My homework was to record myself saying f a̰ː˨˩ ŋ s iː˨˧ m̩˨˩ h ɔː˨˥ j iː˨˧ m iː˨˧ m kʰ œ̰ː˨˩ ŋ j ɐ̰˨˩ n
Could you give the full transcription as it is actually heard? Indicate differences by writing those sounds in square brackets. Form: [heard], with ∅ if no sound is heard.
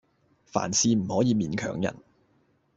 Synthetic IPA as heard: f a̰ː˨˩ [n] s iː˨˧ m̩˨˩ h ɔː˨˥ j iː˨˧ m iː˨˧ [n] kʰ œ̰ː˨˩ ŋ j ɐ̰˨˩ n